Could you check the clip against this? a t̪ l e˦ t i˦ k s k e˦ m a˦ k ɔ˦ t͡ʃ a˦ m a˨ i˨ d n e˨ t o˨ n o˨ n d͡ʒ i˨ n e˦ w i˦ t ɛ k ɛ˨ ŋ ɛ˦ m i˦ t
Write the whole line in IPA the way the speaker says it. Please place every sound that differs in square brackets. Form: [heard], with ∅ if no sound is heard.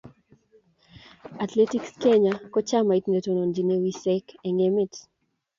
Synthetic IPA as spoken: a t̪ l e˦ t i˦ k s k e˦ [ɲ] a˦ k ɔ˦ t͡ʃ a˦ m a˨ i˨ [t] n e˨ t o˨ n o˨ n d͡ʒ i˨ n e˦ w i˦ [s] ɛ k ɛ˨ ŋ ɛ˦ m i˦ t

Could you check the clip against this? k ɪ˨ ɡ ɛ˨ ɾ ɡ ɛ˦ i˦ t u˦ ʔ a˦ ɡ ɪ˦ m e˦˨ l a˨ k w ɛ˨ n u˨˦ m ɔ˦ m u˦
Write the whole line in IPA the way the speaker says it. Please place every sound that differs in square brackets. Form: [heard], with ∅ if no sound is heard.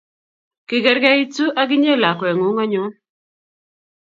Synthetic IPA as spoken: k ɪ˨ ɡ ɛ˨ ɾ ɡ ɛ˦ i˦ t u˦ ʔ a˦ ɡ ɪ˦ [ɲ] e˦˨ l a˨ k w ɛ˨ [ŋ] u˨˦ [ŋ] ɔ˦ [ɲ] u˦

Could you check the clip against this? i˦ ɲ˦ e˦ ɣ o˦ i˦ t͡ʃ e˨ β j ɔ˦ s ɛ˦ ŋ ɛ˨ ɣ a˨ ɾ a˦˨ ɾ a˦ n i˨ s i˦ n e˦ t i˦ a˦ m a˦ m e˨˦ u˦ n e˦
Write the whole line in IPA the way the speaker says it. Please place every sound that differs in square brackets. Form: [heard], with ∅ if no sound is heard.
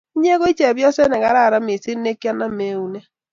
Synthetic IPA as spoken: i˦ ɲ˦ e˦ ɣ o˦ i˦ t͡ʃ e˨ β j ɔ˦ s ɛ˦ [n] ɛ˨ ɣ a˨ ɾ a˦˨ ɾ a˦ [m] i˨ s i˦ n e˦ [k] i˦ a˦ [n] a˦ m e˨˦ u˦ n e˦

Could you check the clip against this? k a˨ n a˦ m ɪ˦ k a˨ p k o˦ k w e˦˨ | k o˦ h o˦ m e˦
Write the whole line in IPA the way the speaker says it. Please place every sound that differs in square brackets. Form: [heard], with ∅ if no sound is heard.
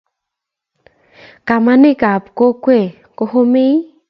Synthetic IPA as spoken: k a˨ [m] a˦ [n] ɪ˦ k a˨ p k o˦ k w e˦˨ | k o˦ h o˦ m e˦

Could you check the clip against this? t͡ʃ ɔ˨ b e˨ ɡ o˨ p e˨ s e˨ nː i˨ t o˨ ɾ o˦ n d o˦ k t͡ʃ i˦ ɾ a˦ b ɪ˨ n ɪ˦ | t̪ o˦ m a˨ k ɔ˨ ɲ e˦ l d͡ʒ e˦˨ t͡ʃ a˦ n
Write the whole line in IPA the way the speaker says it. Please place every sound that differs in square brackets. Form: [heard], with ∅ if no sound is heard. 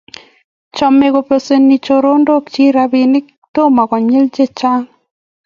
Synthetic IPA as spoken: t͡ʃ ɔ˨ [m] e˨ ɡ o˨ p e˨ s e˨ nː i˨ [t͡ʃ] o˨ ɾ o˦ n d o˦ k t͡ʃ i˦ ɾ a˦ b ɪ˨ n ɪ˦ | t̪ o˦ m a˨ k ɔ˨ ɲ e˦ l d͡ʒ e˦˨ t͡ʃ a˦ [ŋ]

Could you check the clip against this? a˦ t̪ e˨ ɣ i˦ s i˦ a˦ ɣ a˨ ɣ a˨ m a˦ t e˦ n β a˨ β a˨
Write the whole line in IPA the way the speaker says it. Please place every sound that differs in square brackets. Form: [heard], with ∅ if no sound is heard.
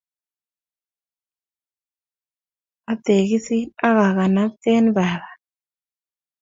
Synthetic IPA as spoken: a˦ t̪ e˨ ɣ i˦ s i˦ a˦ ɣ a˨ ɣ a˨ [n] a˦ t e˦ n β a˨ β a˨

